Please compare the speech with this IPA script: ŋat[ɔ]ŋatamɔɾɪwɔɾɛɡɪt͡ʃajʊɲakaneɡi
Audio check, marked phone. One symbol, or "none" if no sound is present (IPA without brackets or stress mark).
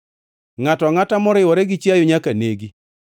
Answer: ɔ